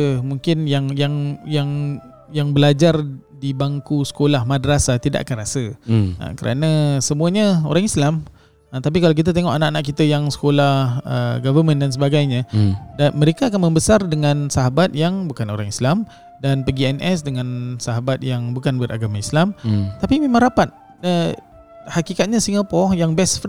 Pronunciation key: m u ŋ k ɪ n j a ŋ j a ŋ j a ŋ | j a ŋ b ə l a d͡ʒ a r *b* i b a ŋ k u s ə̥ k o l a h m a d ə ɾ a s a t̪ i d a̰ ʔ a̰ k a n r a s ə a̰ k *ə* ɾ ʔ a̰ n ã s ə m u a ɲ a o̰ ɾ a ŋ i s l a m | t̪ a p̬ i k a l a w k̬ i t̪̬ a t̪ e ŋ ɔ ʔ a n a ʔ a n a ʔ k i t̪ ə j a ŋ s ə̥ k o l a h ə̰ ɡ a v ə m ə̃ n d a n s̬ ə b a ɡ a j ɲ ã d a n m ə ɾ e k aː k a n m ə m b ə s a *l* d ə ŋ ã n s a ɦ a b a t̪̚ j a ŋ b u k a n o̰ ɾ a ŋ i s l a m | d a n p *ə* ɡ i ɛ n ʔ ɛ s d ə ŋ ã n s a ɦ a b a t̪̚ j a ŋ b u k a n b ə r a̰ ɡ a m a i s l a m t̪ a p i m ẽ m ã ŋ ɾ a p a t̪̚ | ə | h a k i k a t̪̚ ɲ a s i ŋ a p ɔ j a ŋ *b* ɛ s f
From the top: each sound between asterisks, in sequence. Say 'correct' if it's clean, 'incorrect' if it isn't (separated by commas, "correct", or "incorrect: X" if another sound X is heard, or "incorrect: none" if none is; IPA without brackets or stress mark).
incorrect: d, correct, incorrect: r, correct, correct